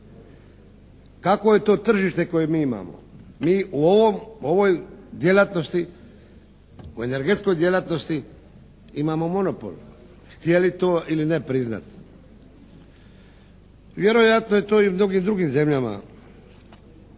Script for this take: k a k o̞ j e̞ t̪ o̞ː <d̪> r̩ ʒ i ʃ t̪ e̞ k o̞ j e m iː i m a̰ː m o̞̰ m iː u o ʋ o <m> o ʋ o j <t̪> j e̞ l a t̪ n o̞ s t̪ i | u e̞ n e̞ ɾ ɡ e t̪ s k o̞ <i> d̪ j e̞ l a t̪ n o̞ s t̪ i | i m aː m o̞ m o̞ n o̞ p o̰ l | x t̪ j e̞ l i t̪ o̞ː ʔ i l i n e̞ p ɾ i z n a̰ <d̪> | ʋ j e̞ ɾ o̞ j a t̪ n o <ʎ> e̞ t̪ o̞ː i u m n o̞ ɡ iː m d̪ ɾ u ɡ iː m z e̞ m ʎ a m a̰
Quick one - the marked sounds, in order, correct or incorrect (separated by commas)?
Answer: incorrect, correct, incorrect, incorrect, incorrect, incorrect